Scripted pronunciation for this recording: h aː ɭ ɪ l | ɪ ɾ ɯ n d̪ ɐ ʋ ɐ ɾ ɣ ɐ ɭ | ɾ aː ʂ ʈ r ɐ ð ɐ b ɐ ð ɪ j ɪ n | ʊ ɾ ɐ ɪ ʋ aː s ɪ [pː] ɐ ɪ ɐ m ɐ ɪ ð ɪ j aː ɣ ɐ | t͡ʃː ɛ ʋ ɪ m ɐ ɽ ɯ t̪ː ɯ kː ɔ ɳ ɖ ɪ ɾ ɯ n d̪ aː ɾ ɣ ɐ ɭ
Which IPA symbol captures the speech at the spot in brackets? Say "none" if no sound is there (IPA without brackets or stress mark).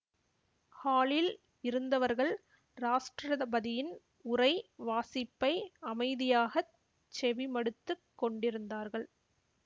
pː